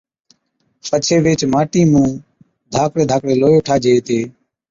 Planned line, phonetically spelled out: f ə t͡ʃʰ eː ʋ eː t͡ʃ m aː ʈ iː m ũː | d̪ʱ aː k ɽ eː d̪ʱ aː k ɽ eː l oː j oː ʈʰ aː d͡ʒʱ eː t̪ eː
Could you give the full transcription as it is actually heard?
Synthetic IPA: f ə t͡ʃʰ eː ʋ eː t͡ʃ m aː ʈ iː m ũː | d̪ʱ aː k ɽ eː d̪ʱ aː k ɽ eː l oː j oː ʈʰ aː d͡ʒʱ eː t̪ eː